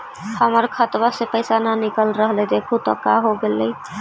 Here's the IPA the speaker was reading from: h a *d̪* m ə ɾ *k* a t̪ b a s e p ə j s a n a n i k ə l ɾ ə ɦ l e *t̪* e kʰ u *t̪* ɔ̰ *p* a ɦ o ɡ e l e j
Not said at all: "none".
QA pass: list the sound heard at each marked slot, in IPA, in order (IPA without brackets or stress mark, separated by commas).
none, kʰ, d̪, t̪, k